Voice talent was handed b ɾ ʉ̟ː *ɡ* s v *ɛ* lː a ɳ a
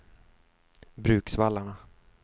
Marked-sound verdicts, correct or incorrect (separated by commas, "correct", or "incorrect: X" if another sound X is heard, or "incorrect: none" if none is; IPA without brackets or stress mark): incorrect: k, incorrect: a